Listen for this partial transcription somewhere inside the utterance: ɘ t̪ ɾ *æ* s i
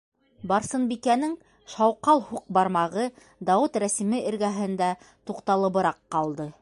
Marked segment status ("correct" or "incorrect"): correct